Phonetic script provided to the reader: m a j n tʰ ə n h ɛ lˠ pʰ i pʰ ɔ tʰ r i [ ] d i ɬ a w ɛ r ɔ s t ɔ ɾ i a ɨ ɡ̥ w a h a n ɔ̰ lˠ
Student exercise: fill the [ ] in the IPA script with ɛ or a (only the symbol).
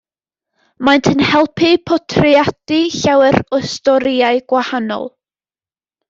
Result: a